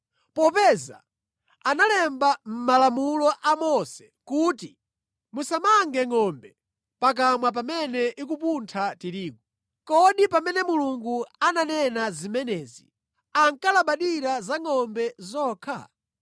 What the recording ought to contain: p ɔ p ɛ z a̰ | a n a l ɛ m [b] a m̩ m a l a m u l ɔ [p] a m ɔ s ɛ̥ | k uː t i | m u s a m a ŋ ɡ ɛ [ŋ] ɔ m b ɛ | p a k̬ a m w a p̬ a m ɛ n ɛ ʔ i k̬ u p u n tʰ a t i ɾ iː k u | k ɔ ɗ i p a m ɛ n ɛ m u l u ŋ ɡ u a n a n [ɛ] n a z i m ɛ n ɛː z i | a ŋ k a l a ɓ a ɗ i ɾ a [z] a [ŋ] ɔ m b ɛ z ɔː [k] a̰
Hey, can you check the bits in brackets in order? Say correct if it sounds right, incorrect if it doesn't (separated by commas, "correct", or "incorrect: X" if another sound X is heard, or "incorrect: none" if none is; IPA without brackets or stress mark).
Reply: correct, incorrect: ʔ, correct, correct, correct, correct, incorrect: kʰ